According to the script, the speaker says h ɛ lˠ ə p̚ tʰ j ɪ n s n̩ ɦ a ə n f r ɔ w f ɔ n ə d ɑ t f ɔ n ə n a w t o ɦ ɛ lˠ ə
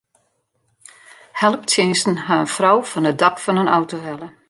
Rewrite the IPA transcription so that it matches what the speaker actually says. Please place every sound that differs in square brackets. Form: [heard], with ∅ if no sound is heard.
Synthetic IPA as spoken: h ɛ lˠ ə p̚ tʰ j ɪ n s n̩ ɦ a ə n f r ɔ w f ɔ n ə d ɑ [k] f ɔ n ə n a w t o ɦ ɛ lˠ ə